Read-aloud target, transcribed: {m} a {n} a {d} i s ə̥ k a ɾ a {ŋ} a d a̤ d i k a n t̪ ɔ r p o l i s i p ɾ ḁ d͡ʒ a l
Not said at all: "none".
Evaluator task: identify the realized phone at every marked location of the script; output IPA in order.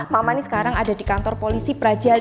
m, m, n, ŋ

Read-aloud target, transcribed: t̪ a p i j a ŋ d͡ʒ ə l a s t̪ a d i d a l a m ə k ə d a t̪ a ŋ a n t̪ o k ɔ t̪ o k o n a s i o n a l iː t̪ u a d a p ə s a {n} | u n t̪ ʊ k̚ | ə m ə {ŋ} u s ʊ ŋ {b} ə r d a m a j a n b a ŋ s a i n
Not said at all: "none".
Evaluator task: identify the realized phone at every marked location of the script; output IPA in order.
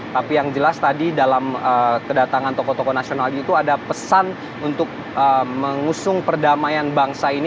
n, ŋ, p

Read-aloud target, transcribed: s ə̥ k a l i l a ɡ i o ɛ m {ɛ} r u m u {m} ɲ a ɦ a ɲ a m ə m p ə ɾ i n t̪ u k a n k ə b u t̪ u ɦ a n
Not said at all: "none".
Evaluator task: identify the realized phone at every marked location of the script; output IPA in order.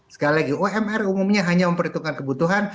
ɛ, m

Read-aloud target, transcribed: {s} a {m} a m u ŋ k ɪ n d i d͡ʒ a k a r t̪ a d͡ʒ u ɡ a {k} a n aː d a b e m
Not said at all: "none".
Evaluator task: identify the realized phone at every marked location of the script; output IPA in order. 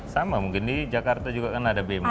s, m, k

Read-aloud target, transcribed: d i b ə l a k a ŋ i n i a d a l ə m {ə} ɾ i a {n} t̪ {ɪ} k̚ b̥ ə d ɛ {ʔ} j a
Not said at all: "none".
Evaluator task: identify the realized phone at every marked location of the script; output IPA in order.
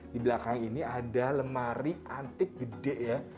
a, n, ɪ, ʔ

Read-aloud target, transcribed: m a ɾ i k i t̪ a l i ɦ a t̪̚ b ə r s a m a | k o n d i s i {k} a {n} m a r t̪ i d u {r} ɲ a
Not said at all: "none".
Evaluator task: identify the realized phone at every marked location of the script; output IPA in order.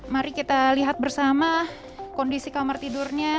k, none, r

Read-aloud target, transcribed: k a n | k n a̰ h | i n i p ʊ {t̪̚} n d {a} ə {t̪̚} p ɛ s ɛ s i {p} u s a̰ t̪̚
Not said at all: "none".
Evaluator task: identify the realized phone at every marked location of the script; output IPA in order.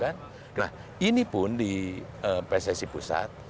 none, i, none, p

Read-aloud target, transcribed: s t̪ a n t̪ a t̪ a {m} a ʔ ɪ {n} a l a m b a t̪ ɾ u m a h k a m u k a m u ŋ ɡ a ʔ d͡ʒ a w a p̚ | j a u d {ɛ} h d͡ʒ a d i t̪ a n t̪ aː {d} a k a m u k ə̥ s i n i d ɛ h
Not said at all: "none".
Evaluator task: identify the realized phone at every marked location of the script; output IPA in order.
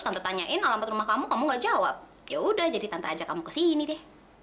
ɲ, n, a, d͡ʒ

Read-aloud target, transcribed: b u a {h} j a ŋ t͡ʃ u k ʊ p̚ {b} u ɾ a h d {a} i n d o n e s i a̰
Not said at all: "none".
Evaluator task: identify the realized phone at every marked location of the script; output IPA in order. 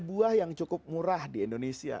h, m, i

